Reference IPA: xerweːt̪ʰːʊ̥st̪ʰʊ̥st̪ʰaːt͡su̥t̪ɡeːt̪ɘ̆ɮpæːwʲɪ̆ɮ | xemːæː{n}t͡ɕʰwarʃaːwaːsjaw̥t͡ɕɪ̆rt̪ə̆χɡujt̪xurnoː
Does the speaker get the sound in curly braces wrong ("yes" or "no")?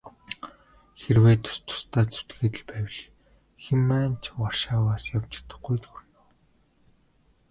no